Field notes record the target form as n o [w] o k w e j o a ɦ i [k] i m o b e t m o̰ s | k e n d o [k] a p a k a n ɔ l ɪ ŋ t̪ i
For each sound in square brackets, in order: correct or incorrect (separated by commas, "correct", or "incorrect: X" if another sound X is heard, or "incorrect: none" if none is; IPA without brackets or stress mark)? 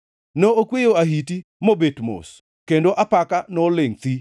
incorrect: none, incorrect: t, incorrect: ʔ